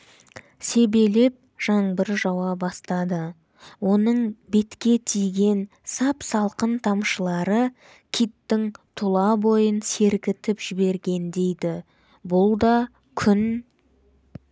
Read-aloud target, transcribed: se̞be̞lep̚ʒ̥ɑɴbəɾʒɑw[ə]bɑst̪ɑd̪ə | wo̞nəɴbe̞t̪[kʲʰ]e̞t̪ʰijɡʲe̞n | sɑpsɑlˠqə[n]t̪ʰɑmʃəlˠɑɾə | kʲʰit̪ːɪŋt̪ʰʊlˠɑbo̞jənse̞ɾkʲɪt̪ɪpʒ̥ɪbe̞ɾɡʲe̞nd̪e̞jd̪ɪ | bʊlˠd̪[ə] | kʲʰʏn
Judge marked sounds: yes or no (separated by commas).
no, no, yes, no